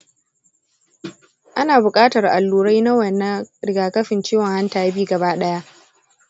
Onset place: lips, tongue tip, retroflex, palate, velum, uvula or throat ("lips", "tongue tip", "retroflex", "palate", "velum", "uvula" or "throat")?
throat